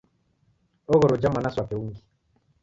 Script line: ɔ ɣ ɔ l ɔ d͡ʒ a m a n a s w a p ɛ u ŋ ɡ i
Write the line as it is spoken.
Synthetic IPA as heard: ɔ ɣ ɔ ɾ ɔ d͡ʒ a m a n a s w a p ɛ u ŋ ɡ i

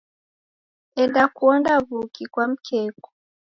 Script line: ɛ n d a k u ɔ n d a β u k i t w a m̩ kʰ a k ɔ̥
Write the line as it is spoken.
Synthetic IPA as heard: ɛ n d a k u ɔ n d a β u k i k w a m̩ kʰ ɛ k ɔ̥

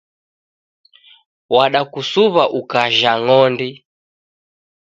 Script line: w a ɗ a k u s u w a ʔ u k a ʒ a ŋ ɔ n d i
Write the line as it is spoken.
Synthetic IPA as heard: w a ɗ a k u s u β a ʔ u k a ʒ a ŋ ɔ n d i

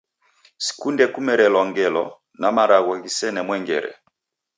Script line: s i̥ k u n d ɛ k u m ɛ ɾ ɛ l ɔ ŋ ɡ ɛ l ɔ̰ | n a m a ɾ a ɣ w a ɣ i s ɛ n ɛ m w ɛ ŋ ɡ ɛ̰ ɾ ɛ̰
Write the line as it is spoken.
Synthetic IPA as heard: s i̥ k u n d ɛ k u m ɛ ɾ ɛ l ɔ ŋ ɡ ɛ l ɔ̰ | n a m a ɾ a ɣ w a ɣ i s ɛ n ɛ m w ɛ ŋ ɡ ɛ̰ ɾ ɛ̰

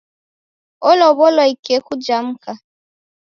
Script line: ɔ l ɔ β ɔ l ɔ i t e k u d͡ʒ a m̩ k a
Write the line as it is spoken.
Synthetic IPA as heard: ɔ l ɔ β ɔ l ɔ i k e k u d͡ʒ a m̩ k a

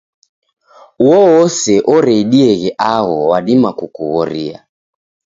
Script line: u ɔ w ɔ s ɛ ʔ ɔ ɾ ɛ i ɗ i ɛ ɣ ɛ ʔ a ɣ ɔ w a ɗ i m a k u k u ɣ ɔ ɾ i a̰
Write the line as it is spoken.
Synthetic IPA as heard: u ɔ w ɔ s ɛ ʔ ɔ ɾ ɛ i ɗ i ɛ ɣ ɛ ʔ a ɣ ɔ w a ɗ i m a k u k u ɣ ɔ ɾ i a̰

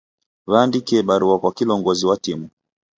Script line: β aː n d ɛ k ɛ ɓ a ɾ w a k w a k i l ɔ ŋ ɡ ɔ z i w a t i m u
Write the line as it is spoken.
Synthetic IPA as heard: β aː n d i k ɛ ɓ a ɾ u a k w a k i l ɔ ŋ ɡ ɔ z i w a t i m u

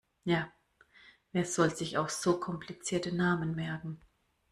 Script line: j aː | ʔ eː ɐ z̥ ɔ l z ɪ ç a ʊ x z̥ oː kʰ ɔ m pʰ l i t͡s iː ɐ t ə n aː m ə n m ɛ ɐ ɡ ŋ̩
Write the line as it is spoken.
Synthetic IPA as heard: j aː | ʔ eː ɐ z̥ ɔ l z ɪ ç a ʊ x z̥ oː kʰ ɔ m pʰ l i t͡s iː ɐ t ə n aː m ə n m ɛ ɐ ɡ ŋ̩

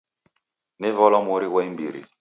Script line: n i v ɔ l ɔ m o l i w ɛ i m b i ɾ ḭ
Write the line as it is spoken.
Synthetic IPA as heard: n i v ɔ l ɔ m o ɾ i w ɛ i m b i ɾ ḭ

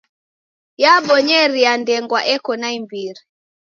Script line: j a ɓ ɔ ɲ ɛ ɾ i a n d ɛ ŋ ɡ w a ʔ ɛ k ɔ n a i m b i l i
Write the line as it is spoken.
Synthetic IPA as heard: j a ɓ ɔ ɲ ɛ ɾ i a n d ɛ ŋ ɡ w a ʔ ɛ k ɔ n a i m b i ɾ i

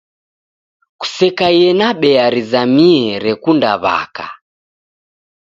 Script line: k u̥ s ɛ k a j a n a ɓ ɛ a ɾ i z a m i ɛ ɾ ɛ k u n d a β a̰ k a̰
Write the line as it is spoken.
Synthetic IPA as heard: k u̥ s ɛ k a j ɛ n a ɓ ɛ a ɾ i z a m i ɛ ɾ ɛ k u n d a β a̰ k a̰

